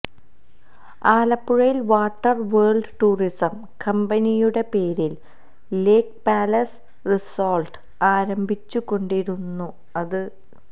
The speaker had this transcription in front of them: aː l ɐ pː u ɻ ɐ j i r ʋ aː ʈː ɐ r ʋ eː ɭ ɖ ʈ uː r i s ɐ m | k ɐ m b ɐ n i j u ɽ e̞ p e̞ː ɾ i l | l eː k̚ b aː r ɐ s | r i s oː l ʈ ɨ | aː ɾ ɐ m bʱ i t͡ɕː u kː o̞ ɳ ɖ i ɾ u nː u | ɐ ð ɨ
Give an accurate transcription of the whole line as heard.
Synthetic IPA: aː l ɐ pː u ɻ ɐ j i l ʋ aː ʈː ɐ r ʋ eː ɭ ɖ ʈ uː r i s ɐ m | k ɐ m b ɐ n i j u ɽ e̞ p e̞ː ɾ i l | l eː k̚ p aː l ɐ s | r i s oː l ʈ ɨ | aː ɾ ɐ m bʱ i t͡ɕː u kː o̞ ɳ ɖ i ɾ u nː u | ɐ ð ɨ